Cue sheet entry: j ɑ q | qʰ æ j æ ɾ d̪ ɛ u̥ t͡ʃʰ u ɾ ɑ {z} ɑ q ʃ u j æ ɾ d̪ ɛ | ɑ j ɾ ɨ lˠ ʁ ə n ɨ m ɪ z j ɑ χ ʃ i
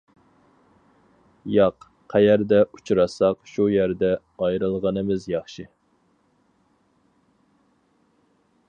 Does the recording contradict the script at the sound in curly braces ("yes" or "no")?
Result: yes